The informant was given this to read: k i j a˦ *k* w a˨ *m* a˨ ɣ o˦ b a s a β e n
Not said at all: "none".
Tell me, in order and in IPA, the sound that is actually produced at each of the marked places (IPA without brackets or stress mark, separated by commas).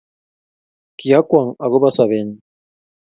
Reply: k, ŋ